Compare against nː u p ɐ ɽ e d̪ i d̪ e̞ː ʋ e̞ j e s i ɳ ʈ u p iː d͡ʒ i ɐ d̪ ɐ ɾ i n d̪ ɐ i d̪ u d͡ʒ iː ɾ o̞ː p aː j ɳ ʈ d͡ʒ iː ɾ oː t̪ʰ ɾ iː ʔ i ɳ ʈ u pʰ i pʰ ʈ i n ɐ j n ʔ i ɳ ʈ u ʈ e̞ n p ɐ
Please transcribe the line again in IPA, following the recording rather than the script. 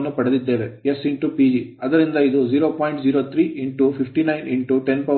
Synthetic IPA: nː u p ɐ ɽ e d̪ i d̪ː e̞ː ʋ e̞ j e s i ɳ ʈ u p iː d͡ʒ i ɐ d̪ ɐ ɾ i n d̪ ɐ i d̪ u d͡ʒ iː ɾ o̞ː p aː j ɳ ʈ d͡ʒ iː ɾ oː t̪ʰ ɾ iː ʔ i ɳ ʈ u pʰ i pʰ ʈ i n ɐ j n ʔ i ɳ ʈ u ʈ e̞ n p ɐ